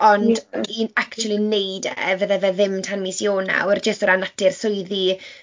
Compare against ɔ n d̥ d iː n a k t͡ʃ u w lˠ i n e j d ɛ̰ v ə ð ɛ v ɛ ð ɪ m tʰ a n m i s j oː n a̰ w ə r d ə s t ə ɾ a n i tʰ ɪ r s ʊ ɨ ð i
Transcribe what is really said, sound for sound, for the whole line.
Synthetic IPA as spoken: ɔ n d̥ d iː n a k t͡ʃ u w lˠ i n e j d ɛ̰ v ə ð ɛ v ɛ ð ɪ m tʰ a n m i s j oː n a̰ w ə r d͡ʒ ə s t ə ɾ a n a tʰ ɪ r s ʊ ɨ ð i